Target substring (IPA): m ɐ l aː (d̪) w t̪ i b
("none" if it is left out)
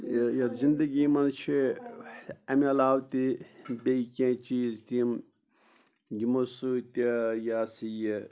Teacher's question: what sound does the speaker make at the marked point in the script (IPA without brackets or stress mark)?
none